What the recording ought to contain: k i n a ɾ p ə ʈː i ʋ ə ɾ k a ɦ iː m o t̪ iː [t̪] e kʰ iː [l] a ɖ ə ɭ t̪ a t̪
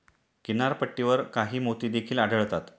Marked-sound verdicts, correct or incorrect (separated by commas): incorrect, correct